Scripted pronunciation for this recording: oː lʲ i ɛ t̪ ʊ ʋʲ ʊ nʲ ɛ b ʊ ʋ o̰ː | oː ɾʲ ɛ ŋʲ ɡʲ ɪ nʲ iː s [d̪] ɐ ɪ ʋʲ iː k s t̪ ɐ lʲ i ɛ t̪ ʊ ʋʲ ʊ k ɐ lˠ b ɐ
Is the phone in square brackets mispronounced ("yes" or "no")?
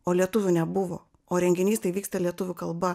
yes